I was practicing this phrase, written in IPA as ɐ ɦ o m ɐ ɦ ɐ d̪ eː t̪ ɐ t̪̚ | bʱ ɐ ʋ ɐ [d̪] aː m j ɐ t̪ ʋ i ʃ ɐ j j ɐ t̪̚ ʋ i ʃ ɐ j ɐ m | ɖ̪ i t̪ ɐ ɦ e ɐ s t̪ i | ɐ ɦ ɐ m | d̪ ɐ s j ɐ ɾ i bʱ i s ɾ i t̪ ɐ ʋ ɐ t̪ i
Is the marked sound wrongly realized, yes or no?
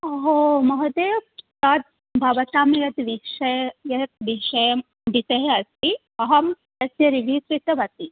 yes